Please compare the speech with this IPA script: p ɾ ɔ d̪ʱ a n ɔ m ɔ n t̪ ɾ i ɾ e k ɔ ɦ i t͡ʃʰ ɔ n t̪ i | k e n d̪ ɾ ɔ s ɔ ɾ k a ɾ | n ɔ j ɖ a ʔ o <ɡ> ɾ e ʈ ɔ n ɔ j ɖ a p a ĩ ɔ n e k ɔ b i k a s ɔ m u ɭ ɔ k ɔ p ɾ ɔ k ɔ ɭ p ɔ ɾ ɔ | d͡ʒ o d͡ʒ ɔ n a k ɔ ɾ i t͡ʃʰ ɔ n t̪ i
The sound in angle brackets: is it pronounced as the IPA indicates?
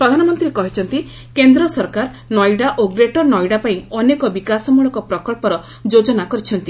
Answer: yes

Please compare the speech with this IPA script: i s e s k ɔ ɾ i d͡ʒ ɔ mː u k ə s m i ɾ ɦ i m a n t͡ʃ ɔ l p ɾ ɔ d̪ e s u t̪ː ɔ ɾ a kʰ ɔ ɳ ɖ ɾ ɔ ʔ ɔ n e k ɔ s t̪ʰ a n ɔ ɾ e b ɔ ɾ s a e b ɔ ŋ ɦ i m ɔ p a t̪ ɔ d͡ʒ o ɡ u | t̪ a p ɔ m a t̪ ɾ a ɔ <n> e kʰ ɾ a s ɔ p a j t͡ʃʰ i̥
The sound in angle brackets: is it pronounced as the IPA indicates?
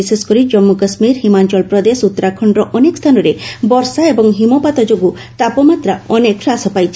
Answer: yes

